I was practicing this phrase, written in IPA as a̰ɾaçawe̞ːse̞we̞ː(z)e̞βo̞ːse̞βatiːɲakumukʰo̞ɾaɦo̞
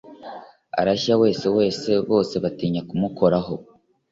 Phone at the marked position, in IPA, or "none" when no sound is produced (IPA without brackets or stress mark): s